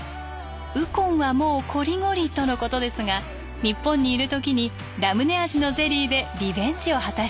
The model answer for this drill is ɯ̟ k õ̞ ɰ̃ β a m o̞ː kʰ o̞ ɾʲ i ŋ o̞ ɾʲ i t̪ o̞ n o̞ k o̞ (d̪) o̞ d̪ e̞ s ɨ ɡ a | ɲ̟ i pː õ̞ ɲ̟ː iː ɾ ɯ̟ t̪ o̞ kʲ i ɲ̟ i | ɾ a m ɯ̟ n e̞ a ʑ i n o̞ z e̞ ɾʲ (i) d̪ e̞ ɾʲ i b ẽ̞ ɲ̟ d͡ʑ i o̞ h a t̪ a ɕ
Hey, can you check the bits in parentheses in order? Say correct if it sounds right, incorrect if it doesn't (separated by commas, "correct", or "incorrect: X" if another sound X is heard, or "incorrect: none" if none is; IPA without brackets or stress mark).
incorrect: t̪, incorrect: iː